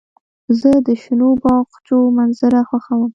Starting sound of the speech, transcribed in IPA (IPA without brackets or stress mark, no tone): z